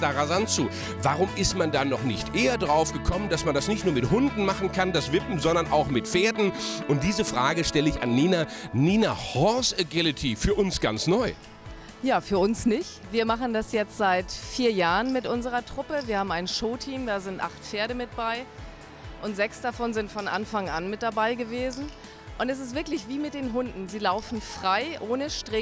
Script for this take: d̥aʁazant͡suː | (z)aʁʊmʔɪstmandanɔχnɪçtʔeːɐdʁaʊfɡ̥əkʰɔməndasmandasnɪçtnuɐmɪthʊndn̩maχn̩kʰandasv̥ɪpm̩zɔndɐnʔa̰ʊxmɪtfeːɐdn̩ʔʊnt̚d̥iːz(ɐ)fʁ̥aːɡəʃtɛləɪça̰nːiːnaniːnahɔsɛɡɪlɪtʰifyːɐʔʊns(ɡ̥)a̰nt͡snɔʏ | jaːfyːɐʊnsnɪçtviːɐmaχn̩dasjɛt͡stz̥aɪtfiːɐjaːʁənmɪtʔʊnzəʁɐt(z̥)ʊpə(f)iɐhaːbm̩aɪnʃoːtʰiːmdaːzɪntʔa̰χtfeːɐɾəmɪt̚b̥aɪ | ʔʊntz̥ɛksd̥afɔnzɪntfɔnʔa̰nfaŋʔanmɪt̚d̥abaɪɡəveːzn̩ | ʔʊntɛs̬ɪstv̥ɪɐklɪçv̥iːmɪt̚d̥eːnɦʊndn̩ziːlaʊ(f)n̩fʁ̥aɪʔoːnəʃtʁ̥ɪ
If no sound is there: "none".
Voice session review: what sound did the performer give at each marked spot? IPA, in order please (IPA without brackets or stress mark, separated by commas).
v, ə, ɡ̥, ʁ̥, v, f